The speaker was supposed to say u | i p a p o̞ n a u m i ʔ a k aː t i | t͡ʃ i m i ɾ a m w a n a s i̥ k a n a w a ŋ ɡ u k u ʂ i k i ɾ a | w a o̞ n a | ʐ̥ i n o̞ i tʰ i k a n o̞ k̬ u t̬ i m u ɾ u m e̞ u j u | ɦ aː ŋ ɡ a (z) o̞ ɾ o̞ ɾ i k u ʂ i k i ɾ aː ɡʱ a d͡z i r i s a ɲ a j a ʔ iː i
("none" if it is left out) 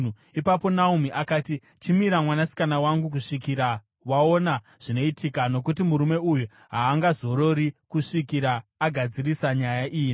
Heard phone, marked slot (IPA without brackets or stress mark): z